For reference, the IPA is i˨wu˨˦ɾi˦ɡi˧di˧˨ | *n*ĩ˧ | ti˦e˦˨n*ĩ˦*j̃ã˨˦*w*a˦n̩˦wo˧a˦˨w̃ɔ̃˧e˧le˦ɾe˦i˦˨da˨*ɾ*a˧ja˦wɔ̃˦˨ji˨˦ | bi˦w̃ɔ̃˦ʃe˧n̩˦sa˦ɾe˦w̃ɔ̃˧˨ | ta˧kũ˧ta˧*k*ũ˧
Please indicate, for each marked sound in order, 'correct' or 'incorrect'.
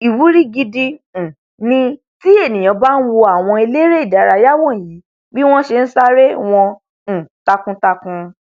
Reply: correct, incorrect: ĩ˨, incorrect: b, correct, correct

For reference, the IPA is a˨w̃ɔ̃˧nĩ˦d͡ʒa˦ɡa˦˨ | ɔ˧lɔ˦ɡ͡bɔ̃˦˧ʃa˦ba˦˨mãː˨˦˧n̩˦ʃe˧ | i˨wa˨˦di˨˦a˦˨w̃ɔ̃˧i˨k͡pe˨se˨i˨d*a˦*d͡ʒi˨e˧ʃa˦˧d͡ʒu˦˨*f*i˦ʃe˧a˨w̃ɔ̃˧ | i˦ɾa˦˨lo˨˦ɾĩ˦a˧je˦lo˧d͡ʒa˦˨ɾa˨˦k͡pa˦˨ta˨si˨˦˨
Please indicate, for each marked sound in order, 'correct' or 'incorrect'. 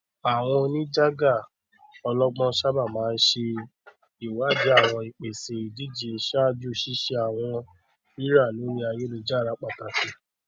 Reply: incorrect: i˦, incorrect: ʃ

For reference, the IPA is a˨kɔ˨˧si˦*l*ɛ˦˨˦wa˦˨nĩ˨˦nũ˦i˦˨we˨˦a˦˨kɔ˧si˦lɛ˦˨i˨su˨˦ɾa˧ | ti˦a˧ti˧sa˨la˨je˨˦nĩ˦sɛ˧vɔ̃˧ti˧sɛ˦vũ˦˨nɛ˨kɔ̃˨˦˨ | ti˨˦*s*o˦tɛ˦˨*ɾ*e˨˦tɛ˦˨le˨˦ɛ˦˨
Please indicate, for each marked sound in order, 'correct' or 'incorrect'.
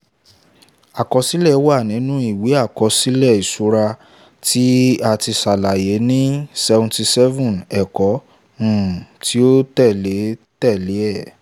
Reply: correct, incorrect: none, incorrect: l

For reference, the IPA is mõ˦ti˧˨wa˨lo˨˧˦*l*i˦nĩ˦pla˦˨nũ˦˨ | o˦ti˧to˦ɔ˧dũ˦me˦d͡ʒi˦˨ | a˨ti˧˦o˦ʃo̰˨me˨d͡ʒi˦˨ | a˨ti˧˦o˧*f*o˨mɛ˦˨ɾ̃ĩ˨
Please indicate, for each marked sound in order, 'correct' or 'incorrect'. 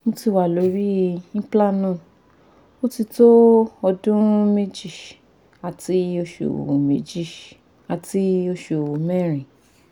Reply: incorrect: ɾ, incorrect: ʃ

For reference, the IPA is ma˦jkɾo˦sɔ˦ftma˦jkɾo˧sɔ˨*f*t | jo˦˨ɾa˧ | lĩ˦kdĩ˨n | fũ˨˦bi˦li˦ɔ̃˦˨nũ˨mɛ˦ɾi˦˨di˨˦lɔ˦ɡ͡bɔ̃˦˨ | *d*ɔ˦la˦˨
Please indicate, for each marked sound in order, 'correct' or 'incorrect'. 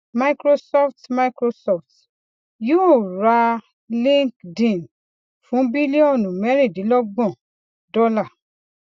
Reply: correct, correct

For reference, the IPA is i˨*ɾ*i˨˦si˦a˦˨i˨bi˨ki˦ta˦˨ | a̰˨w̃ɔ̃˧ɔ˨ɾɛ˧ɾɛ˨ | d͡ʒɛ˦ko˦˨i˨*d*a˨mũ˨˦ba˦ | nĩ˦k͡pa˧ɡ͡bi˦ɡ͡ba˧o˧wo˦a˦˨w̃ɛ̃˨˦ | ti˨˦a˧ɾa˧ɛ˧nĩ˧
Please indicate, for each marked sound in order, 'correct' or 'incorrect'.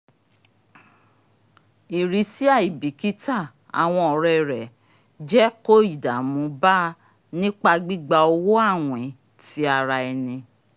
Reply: correct, correct

